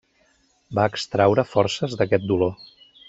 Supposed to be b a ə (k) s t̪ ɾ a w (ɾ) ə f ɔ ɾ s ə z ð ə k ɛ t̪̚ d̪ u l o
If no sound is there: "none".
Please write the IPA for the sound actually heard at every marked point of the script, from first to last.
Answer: k, ɾ

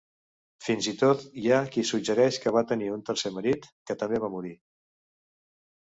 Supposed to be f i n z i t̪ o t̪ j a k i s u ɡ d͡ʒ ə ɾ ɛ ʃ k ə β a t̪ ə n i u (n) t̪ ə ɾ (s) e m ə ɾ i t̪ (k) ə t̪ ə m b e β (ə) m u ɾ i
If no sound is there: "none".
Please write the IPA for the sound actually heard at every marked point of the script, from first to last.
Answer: n, s, k, a

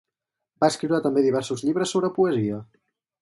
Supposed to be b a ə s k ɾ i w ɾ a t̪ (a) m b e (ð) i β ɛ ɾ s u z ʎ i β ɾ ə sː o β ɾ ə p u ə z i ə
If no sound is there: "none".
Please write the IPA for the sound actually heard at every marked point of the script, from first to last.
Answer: ə, ð

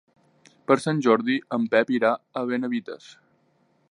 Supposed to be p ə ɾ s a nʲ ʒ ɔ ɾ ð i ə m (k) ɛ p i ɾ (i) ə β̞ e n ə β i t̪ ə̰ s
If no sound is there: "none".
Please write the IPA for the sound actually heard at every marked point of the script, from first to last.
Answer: p, a

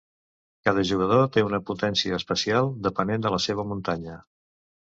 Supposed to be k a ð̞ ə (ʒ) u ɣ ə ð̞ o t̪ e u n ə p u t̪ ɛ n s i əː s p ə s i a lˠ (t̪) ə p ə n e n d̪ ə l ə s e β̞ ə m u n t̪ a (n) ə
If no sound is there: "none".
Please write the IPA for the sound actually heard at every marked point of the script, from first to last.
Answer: ʒ, d̪, ɲ

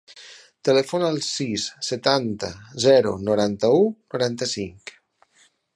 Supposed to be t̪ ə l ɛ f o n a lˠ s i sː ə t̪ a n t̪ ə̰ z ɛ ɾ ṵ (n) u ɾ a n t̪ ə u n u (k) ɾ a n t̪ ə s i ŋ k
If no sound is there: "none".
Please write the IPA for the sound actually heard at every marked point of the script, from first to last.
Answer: n, none

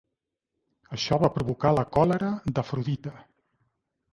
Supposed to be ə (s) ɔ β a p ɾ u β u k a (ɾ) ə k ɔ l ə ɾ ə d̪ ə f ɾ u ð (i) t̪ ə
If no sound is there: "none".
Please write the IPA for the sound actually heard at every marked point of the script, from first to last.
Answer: ʃ, l, i

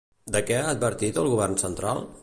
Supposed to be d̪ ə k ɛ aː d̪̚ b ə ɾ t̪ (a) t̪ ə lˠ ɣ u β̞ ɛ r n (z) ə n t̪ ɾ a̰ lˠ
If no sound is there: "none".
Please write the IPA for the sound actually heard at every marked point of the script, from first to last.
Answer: i, s

